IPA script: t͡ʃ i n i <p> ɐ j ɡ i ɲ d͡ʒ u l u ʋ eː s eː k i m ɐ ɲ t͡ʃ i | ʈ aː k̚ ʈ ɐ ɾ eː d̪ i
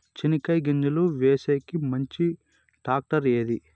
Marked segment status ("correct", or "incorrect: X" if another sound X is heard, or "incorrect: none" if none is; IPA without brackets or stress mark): incorrect: k